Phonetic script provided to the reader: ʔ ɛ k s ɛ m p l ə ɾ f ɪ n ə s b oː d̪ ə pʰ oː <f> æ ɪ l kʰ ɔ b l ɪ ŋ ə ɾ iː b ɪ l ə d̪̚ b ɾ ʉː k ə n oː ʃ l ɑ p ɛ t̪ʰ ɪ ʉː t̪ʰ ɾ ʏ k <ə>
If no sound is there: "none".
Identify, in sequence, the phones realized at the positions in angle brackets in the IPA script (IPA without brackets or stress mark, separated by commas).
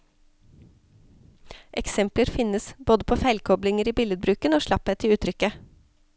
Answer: f, ə